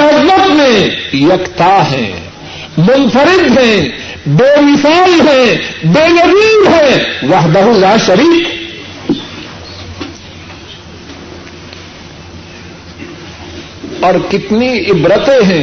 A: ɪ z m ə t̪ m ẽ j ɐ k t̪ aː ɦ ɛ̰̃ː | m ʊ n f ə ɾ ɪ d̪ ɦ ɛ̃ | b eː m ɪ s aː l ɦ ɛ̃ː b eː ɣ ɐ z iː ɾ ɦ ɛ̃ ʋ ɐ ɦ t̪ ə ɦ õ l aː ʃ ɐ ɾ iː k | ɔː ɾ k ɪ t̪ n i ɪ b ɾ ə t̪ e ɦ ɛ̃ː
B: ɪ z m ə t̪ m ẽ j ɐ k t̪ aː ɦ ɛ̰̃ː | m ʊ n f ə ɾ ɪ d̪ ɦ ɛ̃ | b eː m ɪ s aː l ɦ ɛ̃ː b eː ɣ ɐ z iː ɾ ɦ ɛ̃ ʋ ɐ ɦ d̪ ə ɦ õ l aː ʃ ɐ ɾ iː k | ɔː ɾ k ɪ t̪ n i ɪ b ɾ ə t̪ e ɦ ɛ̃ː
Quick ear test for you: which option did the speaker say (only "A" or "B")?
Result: B